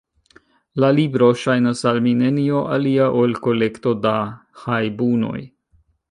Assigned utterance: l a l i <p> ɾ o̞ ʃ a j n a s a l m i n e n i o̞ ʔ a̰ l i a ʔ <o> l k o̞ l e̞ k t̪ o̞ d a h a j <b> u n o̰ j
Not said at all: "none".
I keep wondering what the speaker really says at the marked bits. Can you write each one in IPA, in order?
b, o, b

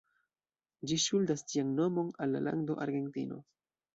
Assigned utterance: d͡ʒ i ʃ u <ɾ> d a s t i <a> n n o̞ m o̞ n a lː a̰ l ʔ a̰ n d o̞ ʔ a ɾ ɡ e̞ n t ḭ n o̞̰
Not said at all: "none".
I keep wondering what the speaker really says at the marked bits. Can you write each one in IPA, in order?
l, a

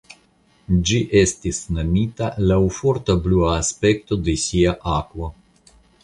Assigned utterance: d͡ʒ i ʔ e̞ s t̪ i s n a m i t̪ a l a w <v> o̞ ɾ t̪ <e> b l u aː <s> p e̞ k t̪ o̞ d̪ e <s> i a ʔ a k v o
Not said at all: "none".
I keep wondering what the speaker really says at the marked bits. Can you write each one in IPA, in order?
f, a, s, s

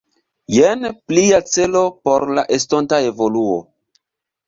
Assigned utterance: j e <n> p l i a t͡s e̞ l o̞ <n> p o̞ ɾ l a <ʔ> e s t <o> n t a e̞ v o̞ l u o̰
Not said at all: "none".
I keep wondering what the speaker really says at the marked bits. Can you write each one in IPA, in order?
n, none, ʔ, o

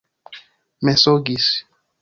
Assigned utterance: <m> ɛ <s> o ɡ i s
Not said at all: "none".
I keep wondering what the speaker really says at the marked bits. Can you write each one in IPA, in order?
m, s

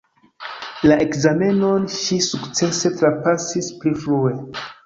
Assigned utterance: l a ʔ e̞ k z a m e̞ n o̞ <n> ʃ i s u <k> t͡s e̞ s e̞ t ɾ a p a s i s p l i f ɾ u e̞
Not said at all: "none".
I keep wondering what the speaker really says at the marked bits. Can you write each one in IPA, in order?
n, k

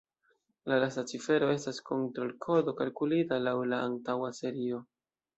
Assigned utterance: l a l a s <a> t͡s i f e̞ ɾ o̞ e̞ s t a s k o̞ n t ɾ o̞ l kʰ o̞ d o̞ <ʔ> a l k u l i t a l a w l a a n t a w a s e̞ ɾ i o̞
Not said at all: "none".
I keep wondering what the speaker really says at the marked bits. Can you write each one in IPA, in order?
a, k

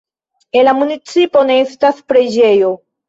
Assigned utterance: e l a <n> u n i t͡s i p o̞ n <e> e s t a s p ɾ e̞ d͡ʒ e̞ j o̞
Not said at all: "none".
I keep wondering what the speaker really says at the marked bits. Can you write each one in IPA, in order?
m, e

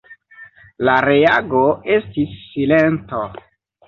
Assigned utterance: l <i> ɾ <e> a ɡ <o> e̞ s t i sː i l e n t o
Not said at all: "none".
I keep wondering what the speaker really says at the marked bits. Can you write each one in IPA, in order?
a, e, o

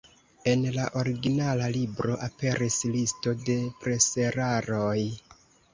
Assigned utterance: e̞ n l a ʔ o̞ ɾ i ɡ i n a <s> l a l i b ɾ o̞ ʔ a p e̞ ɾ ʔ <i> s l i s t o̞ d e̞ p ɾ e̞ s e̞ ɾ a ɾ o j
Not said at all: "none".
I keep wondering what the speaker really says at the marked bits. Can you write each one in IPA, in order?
none, i

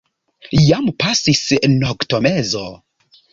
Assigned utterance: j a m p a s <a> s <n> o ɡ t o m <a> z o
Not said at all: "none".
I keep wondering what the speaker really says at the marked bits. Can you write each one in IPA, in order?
i, n, e

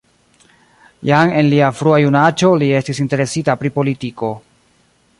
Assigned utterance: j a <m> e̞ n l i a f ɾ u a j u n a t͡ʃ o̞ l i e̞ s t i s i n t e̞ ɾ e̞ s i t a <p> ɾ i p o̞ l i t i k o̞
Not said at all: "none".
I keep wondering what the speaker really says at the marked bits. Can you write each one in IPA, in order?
ŋ, p

